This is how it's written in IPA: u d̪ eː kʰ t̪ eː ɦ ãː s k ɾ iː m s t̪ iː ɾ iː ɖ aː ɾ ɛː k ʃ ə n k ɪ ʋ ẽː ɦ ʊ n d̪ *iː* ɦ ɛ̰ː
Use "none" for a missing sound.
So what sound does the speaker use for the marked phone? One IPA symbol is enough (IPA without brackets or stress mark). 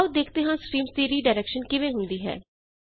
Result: iː